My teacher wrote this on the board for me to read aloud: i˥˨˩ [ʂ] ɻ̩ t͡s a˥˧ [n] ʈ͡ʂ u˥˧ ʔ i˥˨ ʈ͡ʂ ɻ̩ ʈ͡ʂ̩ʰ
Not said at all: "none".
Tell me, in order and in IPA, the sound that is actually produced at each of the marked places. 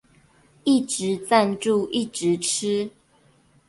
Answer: ʈ͡ʂ, n

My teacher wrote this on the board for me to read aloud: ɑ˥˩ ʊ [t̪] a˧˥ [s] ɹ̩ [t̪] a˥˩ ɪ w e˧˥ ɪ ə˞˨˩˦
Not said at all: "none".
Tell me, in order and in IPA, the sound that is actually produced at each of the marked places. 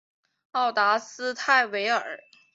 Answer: t̪, s, t̪ʰ

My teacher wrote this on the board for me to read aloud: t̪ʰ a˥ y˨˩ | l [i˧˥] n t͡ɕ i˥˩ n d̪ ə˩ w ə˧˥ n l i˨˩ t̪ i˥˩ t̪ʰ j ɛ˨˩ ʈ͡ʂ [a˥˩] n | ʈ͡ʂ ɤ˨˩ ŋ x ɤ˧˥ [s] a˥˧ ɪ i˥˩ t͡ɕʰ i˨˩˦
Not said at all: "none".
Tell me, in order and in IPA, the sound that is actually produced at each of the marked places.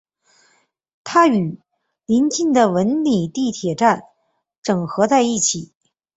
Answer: i˧˥, a˥˩, t͡s

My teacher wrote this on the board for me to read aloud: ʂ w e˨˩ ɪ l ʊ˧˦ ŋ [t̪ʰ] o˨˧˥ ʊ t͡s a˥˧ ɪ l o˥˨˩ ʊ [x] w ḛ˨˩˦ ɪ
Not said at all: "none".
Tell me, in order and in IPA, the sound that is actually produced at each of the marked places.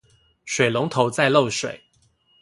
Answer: t̪ʰ, ʂ

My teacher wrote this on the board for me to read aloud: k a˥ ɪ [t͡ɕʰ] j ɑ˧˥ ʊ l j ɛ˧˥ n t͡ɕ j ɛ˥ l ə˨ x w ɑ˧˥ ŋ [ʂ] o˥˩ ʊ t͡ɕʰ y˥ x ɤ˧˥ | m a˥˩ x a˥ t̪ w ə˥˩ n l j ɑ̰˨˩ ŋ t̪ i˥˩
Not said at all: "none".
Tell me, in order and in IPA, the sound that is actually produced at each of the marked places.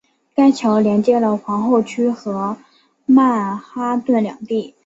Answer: t͡ɕʰ, x

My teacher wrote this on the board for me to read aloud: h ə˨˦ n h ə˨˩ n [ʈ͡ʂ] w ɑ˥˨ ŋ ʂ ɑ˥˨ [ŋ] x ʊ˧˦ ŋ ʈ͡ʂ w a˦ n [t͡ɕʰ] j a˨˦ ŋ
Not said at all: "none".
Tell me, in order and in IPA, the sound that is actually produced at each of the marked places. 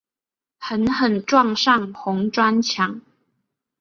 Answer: ʈ͡ʂ, ŋ, t͡ɕʰ

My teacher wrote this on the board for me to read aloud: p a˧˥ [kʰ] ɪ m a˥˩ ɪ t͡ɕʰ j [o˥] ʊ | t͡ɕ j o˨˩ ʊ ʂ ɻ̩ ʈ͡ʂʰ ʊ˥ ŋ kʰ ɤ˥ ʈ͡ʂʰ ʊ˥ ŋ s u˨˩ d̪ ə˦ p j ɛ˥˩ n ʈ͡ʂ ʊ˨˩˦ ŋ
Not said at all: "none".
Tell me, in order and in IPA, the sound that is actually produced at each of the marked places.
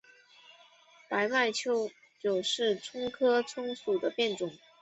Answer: none, o˥

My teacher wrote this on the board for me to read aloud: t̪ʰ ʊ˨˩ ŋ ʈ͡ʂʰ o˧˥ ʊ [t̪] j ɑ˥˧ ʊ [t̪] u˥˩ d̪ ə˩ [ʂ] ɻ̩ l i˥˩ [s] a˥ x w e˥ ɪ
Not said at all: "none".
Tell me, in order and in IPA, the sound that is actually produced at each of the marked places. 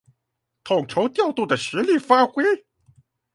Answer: t̪, t̪, ʂ, f

